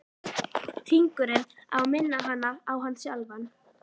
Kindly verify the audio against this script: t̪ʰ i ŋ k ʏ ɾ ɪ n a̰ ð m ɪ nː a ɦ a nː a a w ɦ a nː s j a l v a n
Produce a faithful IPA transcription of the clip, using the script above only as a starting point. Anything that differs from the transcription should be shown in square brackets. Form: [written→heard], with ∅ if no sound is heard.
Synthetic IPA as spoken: t̪ʰ i ŋ k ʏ ɾ ɪ n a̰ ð m ɪ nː a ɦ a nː a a w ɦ a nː s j a l v a n